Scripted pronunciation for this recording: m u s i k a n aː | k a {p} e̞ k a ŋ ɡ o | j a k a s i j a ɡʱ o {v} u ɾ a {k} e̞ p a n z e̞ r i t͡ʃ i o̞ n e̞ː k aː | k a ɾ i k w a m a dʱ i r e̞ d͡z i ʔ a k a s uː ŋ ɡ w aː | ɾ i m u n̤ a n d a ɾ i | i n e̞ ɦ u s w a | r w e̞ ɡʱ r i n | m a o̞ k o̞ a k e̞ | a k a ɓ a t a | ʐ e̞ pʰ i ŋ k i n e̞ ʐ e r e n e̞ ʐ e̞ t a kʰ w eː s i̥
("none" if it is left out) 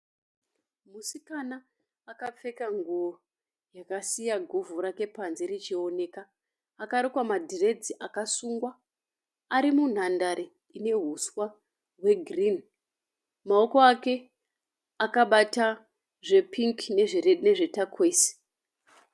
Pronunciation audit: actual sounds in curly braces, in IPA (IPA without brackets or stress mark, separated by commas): p͡f, v, k